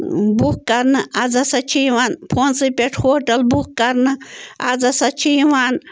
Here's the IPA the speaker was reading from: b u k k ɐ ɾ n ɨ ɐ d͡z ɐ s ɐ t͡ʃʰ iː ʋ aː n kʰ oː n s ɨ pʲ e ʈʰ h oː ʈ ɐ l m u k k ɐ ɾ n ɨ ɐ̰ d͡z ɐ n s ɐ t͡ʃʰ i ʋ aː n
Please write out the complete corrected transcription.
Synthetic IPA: b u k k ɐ ɾ n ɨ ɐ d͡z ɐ s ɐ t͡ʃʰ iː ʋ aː n pʰ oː n s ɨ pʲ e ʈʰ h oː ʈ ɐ l b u k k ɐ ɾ n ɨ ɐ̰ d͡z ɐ s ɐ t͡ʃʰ i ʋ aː n

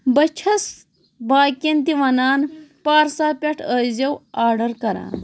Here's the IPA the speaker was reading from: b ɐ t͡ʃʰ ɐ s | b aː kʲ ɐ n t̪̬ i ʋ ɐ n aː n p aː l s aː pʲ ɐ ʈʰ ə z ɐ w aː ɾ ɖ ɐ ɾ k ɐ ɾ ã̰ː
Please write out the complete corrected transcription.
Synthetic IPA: b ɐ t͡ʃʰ ɐ s | b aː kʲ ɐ n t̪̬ i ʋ ɐ n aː n p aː ɾ s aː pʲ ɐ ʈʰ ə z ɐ w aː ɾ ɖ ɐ ɾ k ɐ ɾ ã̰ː

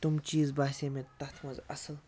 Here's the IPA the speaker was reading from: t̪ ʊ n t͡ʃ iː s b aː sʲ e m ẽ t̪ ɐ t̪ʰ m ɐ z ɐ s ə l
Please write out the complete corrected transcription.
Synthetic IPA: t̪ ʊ m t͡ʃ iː z b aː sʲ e m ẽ t̪ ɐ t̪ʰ m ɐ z ɐ s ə l

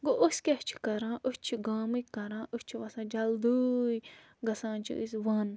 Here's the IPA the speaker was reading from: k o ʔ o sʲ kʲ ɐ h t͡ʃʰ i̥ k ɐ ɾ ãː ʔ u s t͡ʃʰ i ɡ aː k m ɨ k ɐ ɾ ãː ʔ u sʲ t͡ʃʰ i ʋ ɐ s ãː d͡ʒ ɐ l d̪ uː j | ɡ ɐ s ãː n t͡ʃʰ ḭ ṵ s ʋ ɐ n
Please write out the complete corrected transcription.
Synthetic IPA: ɡ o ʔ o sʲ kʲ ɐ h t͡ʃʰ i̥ k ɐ ɾ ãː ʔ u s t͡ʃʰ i ɡ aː m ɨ k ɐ ɾ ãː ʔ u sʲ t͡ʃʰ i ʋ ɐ s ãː d͡ʒ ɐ l d̪ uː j | ɡ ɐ s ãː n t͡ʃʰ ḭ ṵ s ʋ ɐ n

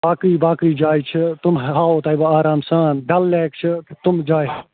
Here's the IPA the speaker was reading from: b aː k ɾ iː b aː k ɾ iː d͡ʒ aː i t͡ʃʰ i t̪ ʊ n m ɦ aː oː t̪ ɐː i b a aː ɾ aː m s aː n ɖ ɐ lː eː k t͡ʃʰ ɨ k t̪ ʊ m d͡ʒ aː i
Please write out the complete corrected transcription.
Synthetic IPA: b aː k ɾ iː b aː k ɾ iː d͡ʒ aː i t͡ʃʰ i t̪ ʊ m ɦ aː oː t̪ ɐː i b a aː ɾ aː m s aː n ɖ ɐ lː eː k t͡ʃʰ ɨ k t̪ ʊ m d͡ʒ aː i

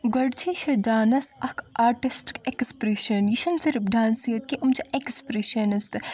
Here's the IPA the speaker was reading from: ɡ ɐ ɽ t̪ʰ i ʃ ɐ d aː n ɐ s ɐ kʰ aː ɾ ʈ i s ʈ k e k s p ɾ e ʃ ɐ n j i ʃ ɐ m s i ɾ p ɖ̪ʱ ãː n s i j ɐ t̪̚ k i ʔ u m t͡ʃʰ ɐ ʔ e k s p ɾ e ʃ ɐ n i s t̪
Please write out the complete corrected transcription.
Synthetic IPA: ɡ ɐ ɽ t̪ʰ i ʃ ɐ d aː n ɐ s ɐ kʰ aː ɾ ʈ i s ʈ k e k s p ɾ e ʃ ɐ n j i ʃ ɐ n s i ɾ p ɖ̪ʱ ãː n s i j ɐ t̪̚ k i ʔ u m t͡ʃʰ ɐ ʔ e k s p ɾ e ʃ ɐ n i s t̪

